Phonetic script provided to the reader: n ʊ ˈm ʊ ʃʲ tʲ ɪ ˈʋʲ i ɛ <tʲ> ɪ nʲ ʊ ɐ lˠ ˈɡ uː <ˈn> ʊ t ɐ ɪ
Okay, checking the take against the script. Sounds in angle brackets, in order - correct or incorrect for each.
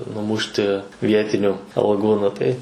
correct, correct

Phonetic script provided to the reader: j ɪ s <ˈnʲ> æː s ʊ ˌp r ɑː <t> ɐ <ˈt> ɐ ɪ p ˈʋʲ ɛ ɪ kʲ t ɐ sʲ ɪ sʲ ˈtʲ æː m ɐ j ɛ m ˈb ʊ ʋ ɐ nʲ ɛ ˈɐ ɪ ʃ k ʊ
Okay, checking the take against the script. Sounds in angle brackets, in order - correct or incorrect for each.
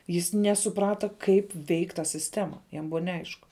correct, correct, incorrect

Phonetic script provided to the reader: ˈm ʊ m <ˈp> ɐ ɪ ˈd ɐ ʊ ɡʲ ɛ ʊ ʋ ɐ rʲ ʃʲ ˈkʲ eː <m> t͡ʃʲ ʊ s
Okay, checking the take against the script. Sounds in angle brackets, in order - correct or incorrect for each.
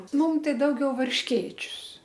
incorrect, incorrect

